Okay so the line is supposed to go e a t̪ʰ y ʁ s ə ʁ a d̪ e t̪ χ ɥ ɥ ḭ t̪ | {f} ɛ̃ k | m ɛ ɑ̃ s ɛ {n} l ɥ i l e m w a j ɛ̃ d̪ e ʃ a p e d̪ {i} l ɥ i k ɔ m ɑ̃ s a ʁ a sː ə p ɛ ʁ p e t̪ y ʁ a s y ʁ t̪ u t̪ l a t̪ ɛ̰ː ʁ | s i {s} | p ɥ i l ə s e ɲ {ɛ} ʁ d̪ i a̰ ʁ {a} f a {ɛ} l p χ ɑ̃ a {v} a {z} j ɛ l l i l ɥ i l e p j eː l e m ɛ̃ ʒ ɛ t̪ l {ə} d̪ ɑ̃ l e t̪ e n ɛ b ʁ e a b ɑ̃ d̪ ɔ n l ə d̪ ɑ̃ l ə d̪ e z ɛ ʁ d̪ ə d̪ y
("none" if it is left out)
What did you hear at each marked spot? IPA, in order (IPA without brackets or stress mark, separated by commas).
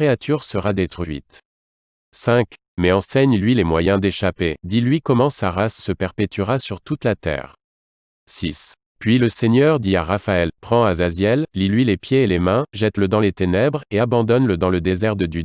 s, ɲ, i, s, œ, a, ɛ, z, z, ə